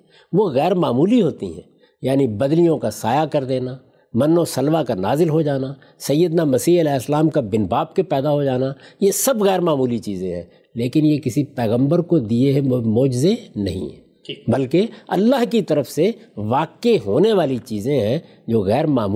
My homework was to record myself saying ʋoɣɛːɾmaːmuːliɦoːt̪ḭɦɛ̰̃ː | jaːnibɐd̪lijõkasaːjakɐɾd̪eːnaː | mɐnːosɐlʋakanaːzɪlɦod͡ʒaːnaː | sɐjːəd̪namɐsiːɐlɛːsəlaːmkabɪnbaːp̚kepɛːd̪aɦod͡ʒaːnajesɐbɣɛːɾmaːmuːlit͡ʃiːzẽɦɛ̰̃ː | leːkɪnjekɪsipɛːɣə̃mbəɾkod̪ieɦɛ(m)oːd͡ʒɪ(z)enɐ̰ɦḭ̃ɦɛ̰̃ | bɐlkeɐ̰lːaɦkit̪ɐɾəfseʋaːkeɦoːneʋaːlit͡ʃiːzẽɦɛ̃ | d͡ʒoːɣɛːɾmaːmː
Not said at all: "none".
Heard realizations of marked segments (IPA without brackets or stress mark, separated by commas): m, z